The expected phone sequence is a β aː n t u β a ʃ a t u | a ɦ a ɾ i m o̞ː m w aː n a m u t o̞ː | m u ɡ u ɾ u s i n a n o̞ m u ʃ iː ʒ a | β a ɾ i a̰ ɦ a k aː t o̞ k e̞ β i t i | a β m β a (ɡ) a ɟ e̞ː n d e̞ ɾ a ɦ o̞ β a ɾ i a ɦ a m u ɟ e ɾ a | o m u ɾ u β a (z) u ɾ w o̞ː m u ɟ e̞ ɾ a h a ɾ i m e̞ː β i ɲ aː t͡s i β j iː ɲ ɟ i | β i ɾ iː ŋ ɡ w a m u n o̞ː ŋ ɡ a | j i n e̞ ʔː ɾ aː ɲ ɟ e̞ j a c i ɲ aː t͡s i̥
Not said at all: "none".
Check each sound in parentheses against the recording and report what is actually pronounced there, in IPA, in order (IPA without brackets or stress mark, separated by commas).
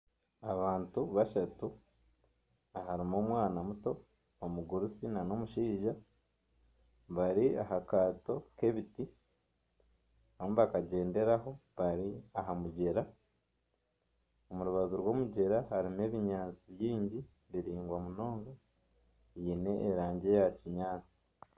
k, z